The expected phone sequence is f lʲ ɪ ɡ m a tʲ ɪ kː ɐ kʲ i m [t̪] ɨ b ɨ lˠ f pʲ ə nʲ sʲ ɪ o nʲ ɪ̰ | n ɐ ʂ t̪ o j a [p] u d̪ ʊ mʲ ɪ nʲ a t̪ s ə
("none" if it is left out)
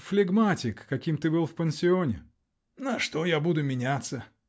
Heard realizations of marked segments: t̪, b

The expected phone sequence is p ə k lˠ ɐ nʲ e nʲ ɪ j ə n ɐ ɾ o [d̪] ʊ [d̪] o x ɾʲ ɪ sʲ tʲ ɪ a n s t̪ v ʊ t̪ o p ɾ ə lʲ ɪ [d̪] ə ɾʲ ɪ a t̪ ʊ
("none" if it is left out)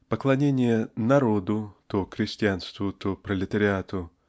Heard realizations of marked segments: d̪, t̪, t̪

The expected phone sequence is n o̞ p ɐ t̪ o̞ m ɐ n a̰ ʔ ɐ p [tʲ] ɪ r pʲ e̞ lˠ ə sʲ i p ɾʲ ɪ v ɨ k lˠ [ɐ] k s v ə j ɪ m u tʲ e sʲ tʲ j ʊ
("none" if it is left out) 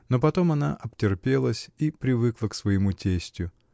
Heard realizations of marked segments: tʲ, ə

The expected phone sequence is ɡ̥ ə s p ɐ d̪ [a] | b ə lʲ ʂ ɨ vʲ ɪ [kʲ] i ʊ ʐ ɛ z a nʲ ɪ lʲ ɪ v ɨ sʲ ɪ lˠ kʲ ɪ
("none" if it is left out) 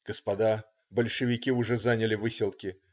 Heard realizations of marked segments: a, kʲ

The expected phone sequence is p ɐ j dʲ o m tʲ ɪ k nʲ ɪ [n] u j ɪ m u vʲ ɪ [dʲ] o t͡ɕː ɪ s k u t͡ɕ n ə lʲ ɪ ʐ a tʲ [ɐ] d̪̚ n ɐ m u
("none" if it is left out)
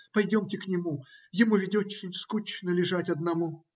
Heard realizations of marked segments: m, dʲ, ɐ

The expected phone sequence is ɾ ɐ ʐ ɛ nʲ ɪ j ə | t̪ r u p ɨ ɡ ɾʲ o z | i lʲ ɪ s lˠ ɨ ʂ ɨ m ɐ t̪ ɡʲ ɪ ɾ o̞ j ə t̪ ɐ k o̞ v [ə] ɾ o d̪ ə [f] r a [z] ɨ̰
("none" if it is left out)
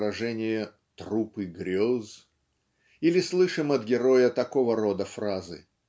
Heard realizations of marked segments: ə, f, z

